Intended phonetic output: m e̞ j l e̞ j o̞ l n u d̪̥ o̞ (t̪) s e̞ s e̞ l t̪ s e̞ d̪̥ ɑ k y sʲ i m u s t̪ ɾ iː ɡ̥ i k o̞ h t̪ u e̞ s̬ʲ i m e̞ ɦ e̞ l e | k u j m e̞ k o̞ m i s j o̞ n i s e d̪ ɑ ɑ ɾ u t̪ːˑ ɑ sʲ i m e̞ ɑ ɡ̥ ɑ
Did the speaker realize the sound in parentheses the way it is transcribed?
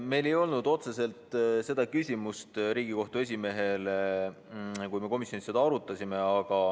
yes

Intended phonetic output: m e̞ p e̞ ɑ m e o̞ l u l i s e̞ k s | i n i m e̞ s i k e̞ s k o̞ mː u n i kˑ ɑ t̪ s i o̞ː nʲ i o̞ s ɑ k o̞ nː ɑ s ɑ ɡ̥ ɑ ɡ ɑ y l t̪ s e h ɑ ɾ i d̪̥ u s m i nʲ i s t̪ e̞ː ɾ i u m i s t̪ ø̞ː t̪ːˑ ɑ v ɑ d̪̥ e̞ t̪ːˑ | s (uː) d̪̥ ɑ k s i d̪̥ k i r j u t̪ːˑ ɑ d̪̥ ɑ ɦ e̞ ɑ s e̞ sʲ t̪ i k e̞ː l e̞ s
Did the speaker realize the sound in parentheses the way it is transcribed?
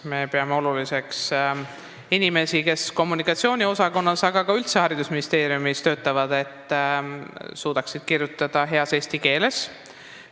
yes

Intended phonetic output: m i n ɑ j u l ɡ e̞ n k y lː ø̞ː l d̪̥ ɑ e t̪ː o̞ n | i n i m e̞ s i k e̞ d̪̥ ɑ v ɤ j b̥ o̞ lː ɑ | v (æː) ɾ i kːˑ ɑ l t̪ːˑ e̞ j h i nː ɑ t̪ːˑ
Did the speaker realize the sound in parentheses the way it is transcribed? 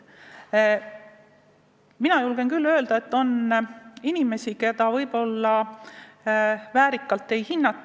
yes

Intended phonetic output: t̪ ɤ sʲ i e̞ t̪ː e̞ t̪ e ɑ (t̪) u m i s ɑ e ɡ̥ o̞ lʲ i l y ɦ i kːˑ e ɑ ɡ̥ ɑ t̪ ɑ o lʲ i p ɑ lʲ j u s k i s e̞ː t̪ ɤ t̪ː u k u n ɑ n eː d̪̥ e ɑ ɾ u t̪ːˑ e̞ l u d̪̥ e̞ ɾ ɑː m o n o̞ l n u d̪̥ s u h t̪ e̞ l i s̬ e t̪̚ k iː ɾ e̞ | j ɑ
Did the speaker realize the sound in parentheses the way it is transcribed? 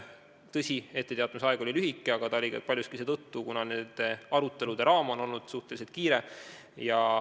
yes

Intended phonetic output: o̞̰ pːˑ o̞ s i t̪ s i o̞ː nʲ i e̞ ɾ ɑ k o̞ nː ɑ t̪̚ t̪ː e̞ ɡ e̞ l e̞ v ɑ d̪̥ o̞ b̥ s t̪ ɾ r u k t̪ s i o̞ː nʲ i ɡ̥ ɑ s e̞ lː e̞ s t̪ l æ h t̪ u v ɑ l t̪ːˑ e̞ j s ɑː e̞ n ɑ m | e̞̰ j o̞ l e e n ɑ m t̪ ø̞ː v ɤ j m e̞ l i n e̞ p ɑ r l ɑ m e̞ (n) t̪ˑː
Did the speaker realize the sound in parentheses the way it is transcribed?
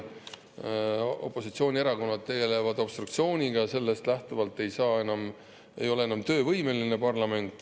yes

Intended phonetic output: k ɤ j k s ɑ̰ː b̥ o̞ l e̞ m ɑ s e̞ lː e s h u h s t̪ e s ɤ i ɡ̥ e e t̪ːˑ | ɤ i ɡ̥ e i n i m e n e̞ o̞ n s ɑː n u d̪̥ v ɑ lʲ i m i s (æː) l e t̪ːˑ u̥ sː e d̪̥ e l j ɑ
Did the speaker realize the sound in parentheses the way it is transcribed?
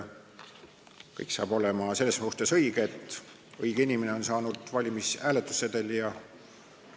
yes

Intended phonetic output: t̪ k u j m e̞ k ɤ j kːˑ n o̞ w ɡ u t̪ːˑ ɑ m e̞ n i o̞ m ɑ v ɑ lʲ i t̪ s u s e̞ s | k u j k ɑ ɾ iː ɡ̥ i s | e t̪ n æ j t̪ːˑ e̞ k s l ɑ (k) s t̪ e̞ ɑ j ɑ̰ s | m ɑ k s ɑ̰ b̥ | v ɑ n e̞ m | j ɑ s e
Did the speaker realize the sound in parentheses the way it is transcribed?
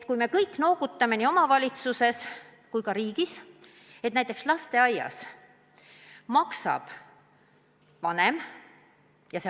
no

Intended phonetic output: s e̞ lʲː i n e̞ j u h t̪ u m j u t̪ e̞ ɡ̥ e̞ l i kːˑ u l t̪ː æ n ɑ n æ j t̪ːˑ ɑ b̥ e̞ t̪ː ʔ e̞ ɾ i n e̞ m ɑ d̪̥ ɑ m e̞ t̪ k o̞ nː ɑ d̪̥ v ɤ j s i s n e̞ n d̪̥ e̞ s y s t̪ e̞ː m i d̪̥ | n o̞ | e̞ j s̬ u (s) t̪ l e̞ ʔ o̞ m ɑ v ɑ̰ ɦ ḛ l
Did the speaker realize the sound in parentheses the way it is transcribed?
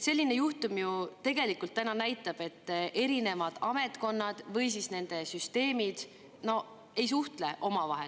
no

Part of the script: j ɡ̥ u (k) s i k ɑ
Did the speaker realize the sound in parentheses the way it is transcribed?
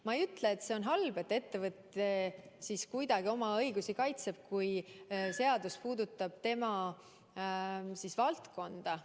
no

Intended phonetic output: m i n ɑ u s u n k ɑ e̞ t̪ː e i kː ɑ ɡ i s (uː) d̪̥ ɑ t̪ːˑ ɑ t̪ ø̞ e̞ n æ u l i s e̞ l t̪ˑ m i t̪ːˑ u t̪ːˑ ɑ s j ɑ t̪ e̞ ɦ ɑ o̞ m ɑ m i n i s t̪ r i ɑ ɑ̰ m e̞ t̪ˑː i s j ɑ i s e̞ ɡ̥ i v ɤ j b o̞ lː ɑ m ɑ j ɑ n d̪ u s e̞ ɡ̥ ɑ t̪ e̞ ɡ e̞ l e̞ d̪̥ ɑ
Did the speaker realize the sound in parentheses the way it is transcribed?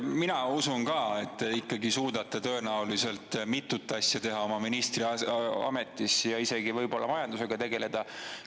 yes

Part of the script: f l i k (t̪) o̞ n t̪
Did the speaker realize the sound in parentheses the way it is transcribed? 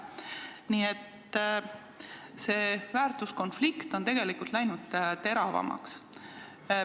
yes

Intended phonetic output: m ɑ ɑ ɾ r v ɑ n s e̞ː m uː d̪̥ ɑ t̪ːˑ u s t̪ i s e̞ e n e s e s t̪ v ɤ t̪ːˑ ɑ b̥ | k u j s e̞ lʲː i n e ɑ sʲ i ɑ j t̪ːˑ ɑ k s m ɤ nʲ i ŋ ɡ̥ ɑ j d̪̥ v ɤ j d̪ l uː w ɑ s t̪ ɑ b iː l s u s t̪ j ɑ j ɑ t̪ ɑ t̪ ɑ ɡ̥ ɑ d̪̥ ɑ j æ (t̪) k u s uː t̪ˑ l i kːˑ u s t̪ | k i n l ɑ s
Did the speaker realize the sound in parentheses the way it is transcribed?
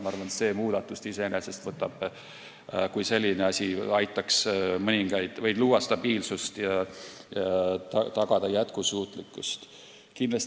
yes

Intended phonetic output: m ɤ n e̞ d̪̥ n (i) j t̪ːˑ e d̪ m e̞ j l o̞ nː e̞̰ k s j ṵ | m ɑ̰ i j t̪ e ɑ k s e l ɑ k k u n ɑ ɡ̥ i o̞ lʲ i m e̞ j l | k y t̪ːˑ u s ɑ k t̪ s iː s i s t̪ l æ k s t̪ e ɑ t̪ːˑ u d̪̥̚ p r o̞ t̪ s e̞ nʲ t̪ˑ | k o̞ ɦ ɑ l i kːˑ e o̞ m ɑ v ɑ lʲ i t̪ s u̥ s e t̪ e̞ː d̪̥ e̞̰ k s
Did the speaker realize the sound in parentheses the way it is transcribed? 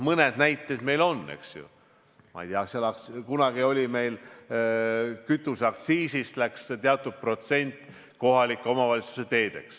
no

